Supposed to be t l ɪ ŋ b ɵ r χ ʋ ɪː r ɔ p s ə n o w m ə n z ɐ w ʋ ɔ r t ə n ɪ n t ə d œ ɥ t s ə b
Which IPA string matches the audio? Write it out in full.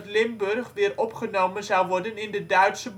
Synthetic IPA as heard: t l ɪ m b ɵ r χ ʋ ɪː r ɔ p χ ə n o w m ə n z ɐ w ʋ ɔ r d ə n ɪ n d ə d œ ɥ t s ə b